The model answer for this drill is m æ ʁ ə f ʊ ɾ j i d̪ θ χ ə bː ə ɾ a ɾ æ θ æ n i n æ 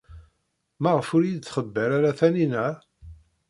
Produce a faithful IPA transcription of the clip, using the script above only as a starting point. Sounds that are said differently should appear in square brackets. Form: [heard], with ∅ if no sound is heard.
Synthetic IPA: m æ ʁ ə f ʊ ɾ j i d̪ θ χ ə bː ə ɾ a ɾ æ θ æ n i n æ